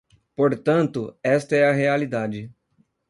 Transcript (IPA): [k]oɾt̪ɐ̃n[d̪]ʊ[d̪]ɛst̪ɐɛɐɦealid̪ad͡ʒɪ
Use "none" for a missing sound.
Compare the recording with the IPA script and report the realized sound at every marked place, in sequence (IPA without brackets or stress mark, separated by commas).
p, t̪, none